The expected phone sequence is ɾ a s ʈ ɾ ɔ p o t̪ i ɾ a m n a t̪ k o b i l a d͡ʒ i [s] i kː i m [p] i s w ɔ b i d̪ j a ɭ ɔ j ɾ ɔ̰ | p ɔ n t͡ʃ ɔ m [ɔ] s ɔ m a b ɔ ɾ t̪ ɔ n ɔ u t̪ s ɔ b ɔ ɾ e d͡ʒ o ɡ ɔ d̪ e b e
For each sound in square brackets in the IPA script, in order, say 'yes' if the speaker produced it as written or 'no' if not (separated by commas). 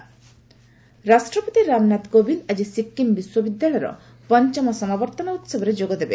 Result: yes, no, yes